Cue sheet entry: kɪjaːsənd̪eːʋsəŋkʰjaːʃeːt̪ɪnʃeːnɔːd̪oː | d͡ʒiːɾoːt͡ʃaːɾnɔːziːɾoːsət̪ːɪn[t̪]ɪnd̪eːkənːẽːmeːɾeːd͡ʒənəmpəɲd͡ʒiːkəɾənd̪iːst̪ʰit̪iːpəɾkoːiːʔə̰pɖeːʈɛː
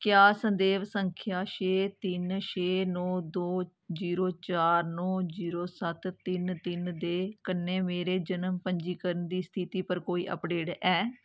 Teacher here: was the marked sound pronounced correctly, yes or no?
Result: yes